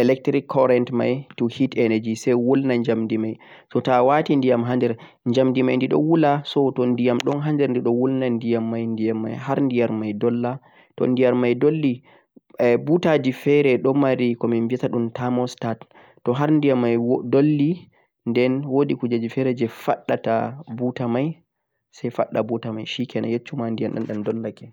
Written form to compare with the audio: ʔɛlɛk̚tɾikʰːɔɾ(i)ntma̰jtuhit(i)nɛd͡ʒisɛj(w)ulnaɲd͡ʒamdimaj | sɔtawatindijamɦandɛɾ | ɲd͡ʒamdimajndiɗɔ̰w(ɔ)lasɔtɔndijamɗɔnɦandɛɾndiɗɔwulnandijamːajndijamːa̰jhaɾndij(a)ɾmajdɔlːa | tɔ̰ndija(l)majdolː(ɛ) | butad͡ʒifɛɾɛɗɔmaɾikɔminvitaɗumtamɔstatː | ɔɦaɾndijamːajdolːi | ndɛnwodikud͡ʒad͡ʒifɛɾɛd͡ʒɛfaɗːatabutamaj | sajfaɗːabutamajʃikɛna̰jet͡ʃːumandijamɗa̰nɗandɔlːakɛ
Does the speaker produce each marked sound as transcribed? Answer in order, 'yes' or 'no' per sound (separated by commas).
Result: no, no, yes, no, yes, no, no